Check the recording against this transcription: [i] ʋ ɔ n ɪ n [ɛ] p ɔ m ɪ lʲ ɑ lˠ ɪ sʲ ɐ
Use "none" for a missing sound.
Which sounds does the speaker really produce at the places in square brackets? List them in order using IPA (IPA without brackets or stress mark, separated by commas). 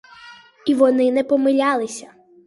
i, ɛ